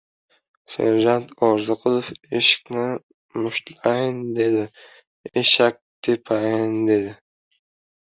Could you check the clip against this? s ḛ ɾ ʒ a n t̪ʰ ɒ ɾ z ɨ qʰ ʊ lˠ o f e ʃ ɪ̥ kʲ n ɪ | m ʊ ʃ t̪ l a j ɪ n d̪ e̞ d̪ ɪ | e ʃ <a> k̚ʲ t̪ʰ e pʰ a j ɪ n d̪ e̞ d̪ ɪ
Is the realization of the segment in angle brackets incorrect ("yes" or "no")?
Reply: no